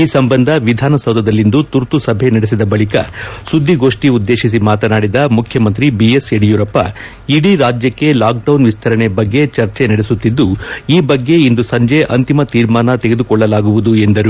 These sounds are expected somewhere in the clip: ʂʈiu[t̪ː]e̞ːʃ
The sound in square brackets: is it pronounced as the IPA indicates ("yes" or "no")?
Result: no